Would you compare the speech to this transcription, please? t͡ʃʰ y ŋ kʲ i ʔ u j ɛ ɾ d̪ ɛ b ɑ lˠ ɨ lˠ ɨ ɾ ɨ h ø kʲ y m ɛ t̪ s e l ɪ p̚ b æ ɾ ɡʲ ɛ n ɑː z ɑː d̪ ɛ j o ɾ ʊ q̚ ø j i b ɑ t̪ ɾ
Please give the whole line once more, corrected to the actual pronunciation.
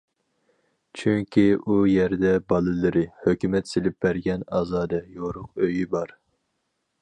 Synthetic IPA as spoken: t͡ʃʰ y ŋ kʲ i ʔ u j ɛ ɾ d̪ ɛ b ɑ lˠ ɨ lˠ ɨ ɾ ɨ h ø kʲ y m ɛ t̪ s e l ɪ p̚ b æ ɾ ɡʲ ɛ n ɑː z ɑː d̪ ɛ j o ɾ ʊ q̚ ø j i b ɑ ɾ